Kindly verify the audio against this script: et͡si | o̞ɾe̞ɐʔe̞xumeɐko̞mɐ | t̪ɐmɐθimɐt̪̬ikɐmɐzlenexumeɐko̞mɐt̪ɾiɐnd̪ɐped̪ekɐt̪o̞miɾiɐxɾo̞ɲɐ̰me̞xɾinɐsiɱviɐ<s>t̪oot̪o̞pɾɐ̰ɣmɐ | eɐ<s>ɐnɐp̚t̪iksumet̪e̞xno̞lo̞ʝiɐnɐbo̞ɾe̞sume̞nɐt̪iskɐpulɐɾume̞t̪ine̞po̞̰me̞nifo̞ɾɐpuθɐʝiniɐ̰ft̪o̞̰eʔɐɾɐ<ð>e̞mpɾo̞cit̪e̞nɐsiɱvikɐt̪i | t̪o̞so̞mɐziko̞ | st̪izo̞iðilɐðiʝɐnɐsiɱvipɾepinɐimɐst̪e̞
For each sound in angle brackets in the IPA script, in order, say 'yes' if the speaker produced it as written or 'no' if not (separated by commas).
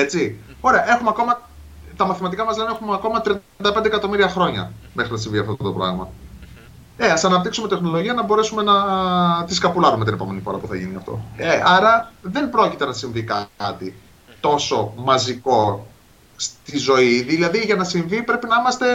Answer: no, yes, yes